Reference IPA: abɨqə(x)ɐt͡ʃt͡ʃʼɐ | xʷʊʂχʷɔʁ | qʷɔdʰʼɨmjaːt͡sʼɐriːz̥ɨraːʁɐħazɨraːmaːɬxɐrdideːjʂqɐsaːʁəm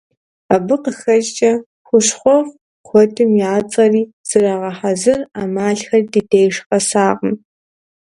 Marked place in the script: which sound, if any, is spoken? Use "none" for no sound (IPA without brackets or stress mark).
x